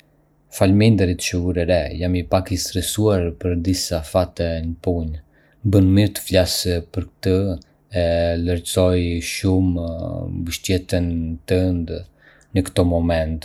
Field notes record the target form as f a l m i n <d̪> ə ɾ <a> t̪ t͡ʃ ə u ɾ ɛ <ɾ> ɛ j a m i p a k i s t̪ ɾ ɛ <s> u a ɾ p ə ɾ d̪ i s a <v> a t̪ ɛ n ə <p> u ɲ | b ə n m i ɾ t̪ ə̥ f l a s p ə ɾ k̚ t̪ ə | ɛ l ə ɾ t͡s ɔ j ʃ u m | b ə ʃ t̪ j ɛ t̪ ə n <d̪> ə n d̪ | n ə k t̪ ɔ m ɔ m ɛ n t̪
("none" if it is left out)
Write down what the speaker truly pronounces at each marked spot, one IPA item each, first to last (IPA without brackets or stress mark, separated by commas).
d̪, i, ɾ, s, f, p, t̪